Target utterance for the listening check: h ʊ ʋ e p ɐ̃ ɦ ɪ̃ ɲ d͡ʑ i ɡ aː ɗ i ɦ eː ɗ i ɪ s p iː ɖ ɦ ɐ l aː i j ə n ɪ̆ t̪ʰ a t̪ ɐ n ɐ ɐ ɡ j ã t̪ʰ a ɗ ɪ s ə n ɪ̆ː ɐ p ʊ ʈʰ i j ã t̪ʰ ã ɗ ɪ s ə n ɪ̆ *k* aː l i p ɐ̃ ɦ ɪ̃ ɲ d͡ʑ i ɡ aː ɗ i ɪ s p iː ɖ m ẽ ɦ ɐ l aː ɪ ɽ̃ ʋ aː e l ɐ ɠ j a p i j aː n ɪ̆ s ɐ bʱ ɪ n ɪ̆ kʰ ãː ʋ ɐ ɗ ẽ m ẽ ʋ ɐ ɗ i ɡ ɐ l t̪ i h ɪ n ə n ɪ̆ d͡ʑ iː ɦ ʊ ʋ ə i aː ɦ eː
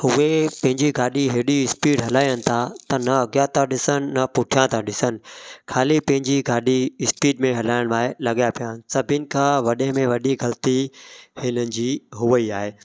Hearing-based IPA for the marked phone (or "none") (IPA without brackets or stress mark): kʰ